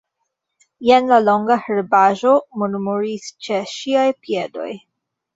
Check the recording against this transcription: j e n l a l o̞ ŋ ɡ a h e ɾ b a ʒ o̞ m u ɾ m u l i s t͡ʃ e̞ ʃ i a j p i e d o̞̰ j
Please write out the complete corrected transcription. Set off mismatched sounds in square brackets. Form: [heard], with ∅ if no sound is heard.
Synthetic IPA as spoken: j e n l a l o̞ ŋ ɡ a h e ɾ b a ʒ o̞ m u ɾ m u [ɾ] i s t͡ʃ e̞ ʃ i a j p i e d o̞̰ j